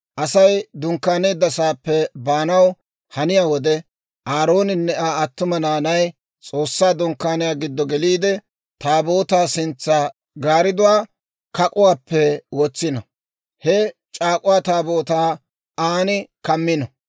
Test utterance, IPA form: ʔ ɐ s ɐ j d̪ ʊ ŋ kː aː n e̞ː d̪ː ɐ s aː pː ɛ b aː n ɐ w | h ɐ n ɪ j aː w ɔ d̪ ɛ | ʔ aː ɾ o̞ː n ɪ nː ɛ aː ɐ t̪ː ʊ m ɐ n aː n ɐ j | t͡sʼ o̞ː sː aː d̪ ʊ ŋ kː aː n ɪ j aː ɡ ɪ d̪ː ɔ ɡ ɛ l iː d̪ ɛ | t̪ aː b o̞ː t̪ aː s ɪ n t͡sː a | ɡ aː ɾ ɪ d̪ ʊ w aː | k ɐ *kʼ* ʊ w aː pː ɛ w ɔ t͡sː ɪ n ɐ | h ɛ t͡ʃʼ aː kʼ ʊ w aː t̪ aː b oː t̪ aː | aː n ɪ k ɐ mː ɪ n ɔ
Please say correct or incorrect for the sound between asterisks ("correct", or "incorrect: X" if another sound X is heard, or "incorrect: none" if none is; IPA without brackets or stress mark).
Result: correct